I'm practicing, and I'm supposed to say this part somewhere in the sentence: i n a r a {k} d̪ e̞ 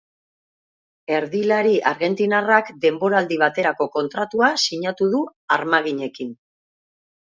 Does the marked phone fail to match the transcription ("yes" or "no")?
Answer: no